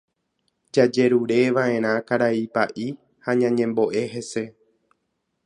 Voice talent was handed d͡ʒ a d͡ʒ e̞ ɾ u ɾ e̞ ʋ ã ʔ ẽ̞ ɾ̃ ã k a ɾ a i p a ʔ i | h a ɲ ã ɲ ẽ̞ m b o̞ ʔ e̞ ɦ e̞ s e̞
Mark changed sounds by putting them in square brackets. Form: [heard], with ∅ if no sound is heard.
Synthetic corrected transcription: d͡ʒ a d͡ʒ e̞ ɾ u ɾ e̞ ʋ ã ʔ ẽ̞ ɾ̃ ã k a ɾ a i p a ʔ i | h a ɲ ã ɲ ẽ̞ m b o̞ ʔ e̞ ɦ e̞ s e̞